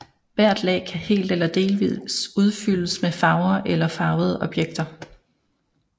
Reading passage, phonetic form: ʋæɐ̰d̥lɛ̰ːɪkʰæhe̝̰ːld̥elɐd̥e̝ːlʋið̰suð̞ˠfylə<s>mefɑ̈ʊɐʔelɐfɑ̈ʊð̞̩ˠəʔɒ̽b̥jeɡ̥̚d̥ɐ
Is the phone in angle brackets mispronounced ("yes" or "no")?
no